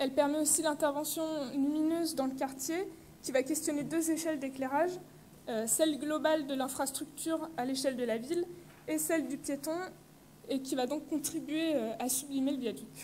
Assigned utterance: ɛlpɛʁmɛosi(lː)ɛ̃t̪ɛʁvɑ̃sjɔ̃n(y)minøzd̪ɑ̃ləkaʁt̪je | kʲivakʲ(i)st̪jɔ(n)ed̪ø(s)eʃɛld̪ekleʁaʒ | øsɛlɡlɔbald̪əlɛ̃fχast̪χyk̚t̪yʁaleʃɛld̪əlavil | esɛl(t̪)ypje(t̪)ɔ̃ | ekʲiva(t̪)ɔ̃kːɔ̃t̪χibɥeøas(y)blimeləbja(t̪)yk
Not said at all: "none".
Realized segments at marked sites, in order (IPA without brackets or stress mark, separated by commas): l, y, ɛ, n, z, d̪, t̪, d̪, y, d̪